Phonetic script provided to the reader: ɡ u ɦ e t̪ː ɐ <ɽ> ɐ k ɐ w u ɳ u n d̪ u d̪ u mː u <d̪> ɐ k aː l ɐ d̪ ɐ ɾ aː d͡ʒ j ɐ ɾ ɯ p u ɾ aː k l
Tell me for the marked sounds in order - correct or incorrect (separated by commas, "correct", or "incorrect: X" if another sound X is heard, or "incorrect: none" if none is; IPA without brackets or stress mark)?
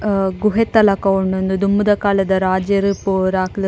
incorrect: l, correct